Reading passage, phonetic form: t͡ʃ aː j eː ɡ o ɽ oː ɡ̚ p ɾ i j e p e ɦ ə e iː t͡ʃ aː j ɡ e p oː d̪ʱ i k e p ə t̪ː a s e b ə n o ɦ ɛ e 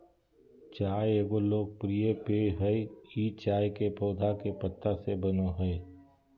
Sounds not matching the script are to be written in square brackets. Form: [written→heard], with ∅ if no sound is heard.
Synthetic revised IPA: t͡ʃ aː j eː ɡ o [ɽ→l] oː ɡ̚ p ɾ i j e p e ɦ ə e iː t͡ʃ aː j [ɡ→k] e p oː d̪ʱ [i→a] k e p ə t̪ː a s e b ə n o ɦ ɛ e